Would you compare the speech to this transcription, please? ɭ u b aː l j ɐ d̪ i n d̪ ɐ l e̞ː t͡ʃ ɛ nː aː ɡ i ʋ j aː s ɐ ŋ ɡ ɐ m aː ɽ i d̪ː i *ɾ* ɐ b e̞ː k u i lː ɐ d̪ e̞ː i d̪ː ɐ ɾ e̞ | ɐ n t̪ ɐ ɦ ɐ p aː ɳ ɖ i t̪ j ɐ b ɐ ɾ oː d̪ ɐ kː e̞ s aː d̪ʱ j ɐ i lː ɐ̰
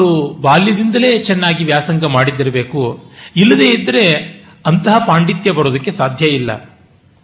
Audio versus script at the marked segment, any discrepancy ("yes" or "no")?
no